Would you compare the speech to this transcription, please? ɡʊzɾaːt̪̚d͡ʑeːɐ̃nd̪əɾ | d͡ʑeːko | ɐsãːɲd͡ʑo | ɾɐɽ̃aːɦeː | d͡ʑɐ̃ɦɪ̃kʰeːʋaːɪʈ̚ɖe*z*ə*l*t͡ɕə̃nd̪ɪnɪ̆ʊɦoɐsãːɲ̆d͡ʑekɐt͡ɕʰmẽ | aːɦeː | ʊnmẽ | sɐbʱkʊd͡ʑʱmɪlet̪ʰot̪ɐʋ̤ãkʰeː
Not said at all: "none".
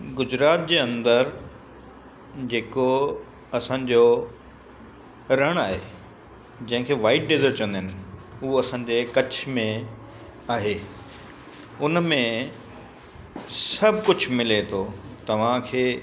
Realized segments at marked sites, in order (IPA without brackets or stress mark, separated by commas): z, ɾ